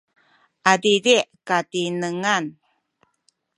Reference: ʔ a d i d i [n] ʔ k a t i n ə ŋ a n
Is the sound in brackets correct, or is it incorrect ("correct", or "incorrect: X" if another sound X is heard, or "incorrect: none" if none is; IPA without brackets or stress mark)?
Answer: incorrect: none